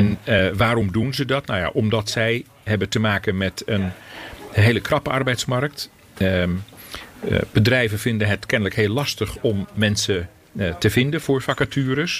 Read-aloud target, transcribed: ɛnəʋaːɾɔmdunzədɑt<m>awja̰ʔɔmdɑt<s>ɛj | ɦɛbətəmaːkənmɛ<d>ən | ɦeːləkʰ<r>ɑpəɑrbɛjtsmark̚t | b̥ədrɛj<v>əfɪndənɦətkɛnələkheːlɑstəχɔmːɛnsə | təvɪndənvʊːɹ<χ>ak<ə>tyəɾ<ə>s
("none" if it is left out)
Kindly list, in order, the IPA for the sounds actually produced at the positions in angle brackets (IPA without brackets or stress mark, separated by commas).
n, s, t, r, v, f, a, ə